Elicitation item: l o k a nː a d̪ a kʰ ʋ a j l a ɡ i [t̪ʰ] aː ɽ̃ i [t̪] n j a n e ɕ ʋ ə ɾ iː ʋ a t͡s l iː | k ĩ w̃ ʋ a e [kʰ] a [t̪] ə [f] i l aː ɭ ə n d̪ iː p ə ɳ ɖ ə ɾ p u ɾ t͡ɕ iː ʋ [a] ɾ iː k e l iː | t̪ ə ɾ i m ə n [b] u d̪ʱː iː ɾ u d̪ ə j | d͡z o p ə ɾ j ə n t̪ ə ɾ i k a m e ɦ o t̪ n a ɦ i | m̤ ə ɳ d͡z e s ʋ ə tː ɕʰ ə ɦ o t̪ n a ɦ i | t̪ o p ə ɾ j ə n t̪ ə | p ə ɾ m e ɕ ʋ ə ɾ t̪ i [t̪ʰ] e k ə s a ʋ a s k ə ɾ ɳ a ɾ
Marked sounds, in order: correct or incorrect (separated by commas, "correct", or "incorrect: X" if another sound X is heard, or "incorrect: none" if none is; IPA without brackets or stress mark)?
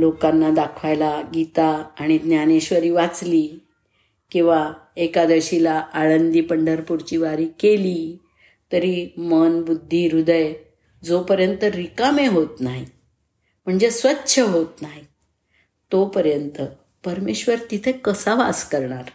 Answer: incorrect: t̪, incorrect: d̪, incorrect: k, incorrect: d̪, incorrect: ɕ, correct, correct, correct